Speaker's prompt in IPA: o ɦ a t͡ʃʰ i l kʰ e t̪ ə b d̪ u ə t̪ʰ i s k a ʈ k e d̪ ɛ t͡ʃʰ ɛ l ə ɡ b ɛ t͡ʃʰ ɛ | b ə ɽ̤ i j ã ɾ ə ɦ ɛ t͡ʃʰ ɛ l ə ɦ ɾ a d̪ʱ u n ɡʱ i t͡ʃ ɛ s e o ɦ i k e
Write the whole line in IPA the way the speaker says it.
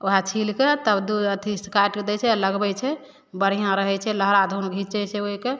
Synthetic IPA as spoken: o ɦ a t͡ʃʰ i l k e t̪ ə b d̪ u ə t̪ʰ i s k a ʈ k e d̪ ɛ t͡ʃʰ ɛ l ə ɡ b ɛ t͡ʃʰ ɛ | b ə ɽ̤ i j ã ɾ ə ɦ ɛ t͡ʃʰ ɛ l ə ɦ ɾ a d̪ʱ u n ɡʱ i t͡ʃ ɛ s e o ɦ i k e